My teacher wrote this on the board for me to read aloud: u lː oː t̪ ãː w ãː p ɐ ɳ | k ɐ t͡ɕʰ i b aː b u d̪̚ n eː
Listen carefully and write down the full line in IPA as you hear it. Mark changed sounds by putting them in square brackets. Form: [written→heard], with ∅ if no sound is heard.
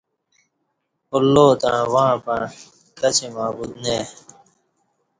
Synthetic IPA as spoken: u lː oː t̪ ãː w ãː p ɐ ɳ | k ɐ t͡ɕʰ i [b→m] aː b u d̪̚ n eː

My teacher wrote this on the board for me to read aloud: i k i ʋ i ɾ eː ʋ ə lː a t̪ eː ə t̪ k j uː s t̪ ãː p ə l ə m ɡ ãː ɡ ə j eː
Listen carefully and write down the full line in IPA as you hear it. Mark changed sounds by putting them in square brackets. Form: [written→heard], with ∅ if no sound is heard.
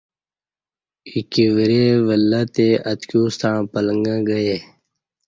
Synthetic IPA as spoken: i k i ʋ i ɾ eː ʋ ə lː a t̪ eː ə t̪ k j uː s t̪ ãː p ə l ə [m→ŋ] ɡ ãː ɡ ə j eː

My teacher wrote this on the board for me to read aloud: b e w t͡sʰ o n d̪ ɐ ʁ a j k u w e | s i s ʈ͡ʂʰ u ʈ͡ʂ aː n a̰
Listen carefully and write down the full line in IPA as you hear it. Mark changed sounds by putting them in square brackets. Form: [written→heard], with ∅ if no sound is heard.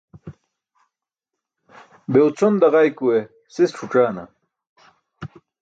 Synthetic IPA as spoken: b e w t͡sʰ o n d̪ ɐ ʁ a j k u w e | s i s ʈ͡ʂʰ u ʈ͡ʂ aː n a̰

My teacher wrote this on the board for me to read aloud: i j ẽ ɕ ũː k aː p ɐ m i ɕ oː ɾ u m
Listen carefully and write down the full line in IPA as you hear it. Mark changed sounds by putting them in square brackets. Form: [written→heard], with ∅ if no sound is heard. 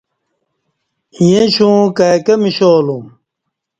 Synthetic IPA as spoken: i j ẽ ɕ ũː k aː [p→k] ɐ m i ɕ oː [ɾ→l] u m

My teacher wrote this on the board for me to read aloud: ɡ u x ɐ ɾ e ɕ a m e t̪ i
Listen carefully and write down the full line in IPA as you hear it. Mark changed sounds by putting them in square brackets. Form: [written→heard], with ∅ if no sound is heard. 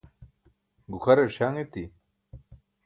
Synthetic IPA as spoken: ɡ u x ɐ ɾ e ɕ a [m→ŋ] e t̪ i

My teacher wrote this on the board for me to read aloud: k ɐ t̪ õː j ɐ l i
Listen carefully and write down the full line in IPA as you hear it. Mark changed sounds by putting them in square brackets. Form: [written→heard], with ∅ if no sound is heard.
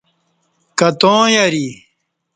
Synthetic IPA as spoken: k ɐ t̪ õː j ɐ [l→ɾ] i

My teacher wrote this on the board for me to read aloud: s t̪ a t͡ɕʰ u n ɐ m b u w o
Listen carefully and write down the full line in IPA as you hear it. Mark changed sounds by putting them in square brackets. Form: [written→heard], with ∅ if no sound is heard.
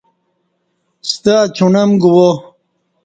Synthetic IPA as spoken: s t̪ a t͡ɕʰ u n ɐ m [b→ɡ] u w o

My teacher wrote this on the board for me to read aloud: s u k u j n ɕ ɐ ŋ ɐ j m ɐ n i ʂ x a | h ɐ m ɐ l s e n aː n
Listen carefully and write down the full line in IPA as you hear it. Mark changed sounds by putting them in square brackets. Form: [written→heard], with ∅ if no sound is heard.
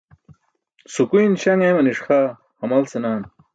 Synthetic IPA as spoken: s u k u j n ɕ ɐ ŋ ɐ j m ɐ n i ʂ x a | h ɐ m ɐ l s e n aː n

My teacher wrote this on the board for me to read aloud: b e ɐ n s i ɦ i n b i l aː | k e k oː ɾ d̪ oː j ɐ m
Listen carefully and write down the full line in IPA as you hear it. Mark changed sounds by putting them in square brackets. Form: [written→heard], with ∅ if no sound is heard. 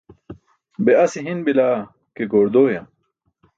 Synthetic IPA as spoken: b e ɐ [n→∅] s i ɦ i n b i l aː | k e [k→ɡ] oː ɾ d̪ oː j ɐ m

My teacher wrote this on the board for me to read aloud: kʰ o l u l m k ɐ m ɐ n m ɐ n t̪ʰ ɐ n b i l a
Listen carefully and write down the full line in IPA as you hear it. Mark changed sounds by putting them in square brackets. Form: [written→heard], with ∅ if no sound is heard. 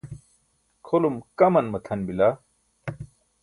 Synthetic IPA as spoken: kʰ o l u [l→∅] m k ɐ m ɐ n m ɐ [n→∅] t̪ʰ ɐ n b i l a

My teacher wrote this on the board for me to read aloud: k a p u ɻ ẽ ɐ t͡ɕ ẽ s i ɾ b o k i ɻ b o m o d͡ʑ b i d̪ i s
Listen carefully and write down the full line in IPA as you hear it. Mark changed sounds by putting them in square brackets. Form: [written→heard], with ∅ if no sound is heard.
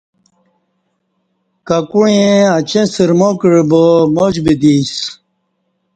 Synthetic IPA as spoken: k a [p→k] u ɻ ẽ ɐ t͡ɕ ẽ s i ɾ [b→m] o k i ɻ b o m o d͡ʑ b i d̪ i s

